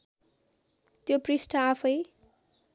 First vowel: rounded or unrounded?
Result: rounded